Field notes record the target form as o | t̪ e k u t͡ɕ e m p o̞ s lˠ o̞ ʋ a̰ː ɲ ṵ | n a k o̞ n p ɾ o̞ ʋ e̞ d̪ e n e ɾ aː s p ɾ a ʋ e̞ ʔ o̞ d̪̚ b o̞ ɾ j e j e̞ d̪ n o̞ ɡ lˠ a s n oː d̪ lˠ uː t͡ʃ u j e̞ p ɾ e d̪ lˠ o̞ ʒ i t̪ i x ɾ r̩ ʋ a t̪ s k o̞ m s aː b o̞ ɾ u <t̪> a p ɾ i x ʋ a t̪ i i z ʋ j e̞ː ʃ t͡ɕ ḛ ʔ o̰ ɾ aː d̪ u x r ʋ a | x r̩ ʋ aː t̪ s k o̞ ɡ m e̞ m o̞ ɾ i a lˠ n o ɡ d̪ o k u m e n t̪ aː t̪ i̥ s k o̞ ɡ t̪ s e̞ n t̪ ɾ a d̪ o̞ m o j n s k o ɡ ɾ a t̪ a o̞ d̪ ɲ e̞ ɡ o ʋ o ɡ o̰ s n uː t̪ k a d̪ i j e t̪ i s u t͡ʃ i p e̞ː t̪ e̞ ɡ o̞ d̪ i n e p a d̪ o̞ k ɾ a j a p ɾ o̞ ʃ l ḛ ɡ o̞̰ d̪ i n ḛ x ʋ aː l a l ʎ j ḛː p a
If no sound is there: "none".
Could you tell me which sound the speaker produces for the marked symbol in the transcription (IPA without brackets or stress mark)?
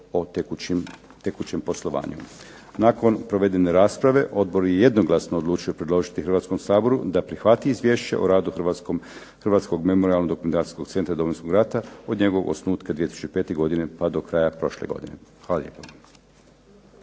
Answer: d̪